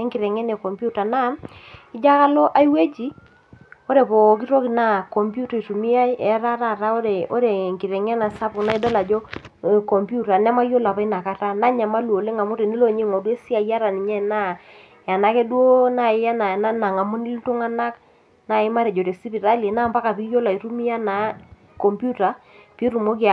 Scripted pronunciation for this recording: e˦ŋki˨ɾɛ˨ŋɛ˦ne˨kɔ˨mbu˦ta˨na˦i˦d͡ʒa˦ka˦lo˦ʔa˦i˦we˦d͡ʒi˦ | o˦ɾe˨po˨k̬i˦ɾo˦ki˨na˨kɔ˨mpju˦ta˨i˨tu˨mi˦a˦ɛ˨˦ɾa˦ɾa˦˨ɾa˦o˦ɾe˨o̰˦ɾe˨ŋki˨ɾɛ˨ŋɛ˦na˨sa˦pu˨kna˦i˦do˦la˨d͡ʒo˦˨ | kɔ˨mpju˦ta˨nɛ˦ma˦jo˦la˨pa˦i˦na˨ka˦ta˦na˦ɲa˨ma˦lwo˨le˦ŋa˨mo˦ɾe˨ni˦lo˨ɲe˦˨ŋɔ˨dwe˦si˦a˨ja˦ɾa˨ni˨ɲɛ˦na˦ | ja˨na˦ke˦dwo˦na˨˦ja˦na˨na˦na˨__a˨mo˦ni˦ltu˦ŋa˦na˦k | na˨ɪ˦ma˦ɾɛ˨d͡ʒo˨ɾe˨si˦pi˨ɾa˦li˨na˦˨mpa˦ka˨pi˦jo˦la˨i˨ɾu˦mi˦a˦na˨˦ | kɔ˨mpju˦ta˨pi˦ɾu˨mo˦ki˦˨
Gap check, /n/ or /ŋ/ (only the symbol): ŋ